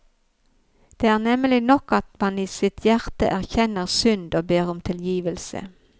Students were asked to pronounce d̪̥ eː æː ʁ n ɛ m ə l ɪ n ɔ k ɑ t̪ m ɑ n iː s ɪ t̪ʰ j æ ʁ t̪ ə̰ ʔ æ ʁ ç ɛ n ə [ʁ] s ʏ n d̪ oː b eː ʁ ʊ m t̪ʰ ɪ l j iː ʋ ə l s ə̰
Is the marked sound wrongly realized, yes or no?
no